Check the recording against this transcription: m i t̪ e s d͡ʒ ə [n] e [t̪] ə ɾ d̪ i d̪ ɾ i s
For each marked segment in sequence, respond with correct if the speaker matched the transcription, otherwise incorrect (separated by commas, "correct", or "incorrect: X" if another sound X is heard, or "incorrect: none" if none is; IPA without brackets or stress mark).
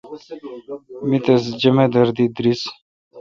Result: incorrect: m, incorrect: d̪